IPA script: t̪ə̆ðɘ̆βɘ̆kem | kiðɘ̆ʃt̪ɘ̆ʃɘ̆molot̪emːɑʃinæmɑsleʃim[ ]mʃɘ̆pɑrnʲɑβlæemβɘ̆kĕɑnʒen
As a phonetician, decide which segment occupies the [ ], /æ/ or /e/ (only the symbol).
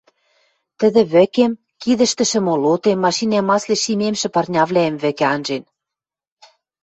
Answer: e